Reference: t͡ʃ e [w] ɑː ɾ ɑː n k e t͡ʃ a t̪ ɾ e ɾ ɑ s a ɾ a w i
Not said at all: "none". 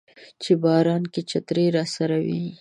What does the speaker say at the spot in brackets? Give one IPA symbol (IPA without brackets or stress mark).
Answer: b